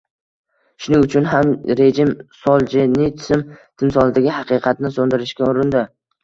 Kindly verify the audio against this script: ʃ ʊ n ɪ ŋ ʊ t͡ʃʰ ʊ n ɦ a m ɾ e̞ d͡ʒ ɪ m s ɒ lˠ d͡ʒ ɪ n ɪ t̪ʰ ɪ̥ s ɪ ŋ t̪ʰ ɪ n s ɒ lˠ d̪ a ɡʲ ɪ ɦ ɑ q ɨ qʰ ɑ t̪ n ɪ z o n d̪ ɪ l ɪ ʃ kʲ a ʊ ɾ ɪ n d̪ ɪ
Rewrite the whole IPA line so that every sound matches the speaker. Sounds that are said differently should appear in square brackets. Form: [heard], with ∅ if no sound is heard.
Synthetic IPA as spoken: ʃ ʊ n ɪ ŋ ʊ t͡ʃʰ ʊ n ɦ a m ɾ e̞ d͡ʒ ɪ m s ɒ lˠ d͡ʒ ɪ n ɪ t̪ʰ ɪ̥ s ɪ [m] t̪ʰ ɪ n s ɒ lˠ d̪ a ɡʲ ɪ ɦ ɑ q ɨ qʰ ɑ t̪ n ɪ [s] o n d̪ ɪ [ɾ] ɪ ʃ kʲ a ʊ ɾ ɪ n d̪ ɪ